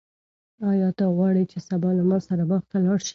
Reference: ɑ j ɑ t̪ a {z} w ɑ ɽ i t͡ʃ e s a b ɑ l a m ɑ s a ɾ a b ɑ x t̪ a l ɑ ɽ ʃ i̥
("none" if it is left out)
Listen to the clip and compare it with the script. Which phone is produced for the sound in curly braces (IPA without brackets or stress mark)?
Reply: ɣ